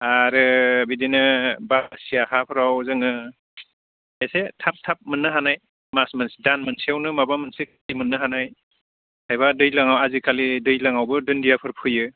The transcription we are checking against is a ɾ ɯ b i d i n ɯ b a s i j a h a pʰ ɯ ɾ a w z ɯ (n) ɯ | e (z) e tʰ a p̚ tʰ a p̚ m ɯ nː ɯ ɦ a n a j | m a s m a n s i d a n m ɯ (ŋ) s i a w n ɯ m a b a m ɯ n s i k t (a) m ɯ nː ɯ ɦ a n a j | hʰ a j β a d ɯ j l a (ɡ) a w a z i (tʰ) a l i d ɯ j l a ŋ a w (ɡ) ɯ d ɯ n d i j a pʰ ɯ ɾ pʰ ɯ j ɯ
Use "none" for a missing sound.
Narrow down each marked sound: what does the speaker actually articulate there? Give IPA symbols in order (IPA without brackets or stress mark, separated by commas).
ŋ, s, n, i, ŋ, kʰ, b